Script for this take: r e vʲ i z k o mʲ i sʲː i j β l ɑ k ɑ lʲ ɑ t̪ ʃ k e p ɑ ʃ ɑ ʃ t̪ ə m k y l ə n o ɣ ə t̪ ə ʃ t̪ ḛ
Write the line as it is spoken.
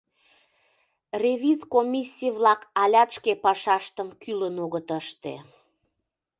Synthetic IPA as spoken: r e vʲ i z k o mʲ i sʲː i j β l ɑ k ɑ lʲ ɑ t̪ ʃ k e p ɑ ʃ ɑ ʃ t̪ ə m k y l ə n o ɣ ə t̪ ə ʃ t̪ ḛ